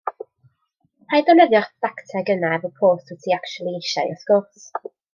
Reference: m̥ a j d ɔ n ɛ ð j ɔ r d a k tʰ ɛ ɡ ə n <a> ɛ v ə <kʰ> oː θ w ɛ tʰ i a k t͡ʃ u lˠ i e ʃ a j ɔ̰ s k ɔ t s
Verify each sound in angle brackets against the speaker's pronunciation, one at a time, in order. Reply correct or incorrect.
correct, incorrect: pʰ

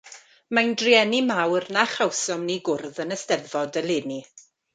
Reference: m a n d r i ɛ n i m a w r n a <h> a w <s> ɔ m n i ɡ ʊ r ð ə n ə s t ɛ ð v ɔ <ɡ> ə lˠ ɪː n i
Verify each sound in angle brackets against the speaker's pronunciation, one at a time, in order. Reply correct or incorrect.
incorrect: χ, correct, incorrect: d

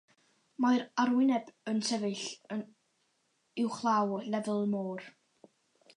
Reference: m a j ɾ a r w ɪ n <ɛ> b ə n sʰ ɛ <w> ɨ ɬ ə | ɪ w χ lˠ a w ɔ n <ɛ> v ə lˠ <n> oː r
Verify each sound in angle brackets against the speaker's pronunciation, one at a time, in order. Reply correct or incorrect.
correct, incorrect: v, correct, incorrect: m

